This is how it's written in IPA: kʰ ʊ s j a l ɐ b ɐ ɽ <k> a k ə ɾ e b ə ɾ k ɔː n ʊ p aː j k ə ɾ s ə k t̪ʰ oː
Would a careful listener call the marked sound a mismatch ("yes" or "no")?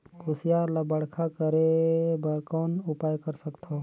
yes